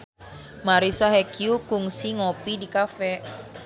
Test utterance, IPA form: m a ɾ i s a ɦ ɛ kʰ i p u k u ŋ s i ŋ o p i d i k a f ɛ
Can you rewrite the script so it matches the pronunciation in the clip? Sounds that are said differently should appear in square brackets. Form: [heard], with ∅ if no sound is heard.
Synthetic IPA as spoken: m a ɾ i s a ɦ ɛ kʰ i [∅] u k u ŋ s i ŋ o p i d i k a f ɛ